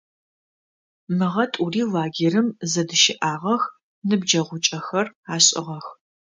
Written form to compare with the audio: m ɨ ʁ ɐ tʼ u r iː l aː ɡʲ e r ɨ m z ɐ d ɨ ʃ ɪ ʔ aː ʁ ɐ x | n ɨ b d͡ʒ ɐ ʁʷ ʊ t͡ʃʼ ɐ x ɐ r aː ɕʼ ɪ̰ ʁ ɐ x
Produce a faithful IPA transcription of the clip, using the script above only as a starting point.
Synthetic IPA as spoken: m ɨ ʁ ɐ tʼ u r iː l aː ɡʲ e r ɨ m z ɐ d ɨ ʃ ɪ ʔ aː ʁ ɐ x | n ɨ b d͡ʒ ɐ ʁʷ ʊ t͡ʃʼ ɐ x ɐ r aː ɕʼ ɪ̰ ʁ ɐ x